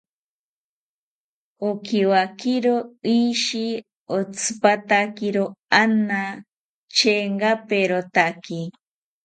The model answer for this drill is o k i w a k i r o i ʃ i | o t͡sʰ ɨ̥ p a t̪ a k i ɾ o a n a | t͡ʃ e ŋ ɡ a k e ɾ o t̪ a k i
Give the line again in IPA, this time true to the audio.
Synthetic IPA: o k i w a k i ɾ o i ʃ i | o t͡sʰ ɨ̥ p a t̪ a k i ɾ o a n a | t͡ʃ e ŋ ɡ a p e ɾ o t̪ a k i